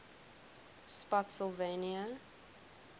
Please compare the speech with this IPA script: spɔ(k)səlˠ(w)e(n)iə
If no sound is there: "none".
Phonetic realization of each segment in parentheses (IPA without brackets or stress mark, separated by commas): t, v, n